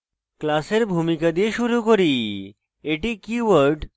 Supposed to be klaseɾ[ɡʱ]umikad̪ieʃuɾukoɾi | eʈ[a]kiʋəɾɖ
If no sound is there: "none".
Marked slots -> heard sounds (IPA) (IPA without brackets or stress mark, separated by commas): bʱ, i